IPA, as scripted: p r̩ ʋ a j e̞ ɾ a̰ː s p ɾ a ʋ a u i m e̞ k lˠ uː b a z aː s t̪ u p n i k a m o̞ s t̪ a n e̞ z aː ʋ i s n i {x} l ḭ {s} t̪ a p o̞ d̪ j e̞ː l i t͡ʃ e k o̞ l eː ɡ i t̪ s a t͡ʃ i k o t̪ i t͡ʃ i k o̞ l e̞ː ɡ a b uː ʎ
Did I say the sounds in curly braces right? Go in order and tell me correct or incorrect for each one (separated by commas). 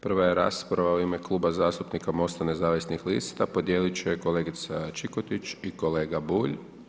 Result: correct, correct